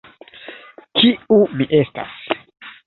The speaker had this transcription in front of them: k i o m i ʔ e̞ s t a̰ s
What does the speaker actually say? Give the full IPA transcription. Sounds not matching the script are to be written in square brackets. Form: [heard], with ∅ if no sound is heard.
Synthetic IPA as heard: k i [u] m i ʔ e̞ s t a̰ s